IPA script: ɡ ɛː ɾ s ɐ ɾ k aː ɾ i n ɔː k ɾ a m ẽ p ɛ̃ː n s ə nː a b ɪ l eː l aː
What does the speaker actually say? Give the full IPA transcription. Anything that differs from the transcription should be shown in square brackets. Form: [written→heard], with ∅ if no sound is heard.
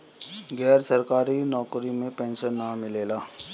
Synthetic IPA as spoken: ɡ ɛː ɾ s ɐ ɾ k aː ɾ i n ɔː k ɾ [a→i] m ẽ p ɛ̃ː n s ə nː a [b→m] ɪ l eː l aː